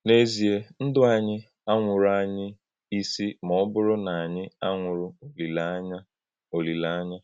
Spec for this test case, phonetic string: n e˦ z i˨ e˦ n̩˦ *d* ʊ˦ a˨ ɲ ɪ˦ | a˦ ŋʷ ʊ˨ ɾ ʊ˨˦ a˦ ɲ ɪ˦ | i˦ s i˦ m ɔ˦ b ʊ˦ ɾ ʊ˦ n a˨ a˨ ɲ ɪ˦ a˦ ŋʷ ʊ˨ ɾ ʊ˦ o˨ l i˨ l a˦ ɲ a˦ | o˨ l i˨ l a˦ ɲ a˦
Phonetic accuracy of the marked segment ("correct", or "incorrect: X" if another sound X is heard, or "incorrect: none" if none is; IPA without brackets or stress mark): correct